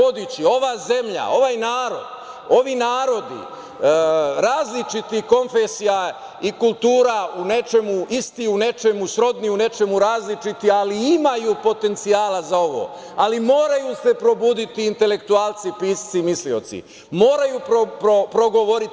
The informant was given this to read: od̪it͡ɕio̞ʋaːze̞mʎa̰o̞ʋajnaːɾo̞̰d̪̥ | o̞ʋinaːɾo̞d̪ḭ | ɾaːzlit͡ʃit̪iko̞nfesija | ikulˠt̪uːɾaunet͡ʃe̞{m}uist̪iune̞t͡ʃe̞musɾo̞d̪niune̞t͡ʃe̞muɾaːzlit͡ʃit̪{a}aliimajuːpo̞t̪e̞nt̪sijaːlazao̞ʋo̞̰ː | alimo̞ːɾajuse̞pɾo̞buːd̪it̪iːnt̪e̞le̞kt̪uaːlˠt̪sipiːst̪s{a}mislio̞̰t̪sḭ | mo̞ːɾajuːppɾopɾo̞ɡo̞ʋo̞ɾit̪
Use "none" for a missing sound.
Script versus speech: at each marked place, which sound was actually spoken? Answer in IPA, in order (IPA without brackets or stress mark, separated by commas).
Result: m, i, i